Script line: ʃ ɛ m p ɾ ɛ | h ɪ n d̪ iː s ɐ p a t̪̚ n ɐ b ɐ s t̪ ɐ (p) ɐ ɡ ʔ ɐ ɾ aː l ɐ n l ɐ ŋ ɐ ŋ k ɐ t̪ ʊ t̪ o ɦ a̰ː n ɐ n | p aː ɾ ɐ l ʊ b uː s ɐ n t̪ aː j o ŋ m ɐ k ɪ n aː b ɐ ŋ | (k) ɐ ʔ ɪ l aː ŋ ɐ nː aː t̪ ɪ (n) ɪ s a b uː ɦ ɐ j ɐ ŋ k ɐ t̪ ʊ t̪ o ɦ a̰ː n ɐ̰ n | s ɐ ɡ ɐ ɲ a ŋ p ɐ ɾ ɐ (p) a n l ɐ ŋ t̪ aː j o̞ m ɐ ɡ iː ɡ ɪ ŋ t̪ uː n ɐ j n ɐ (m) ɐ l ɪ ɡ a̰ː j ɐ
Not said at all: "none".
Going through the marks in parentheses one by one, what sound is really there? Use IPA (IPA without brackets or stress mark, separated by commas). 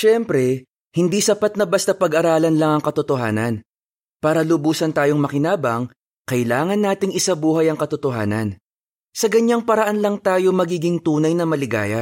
p, k, ŋ, ʔ, m